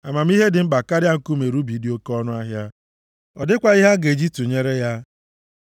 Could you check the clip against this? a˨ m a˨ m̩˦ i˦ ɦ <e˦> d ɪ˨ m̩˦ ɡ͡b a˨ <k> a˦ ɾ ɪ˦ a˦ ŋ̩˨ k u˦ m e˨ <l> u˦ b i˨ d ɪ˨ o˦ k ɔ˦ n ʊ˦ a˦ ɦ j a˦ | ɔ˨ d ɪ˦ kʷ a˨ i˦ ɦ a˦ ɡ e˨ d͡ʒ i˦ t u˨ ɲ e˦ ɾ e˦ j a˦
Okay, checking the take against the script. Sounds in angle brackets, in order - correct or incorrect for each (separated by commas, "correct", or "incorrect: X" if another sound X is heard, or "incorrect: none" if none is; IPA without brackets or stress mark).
correct, correct, incorrect: ɾ